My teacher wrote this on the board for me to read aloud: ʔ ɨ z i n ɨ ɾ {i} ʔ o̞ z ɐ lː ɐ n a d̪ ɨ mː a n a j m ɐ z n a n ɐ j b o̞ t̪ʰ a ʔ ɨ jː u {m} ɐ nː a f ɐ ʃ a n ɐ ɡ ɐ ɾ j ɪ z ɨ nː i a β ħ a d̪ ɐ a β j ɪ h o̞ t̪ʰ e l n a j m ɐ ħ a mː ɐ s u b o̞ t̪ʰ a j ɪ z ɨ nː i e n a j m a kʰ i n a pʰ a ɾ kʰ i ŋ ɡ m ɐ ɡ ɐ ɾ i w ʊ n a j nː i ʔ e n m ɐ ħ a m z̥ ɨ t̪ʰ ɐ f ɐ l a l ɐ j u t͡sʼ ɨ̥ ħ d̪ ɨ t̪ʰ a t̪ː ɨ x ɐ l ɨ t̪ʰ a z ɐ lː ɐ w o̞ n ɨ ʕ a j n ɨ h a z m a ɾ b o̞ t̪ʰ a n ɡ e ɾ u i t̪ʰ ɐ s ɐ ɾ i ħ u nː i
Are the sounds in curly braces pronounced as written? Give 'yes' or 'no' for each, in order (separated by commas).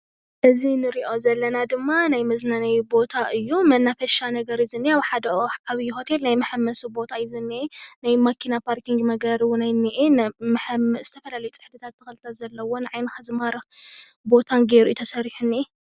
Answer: yes, yes